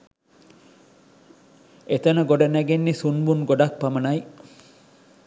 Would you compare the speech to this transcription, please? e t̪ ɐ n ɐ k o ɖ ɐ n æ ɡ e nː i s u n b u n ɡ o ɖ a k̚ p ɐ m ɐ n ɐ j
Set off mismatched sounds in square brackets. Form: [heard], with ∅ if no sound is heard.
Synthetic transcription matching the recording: e t̪ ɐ n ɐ [ɡ] o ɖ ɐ n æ ɡ e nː i s u n b u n ɡ o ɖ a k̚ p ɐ m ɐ n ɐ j